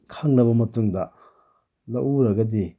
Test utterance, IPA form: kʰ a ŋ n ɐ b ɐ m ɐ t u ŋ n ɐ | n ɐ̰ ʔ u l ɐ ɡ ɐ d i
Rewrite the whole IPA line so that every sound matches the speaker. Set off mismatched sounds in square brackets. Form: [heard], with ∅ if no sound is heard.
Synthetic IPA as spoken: kʰ a ŋ n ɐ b ɐ m ɐ t u ŋ [d] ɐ | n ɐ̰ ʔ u [ɾ] ɐ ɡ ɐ d i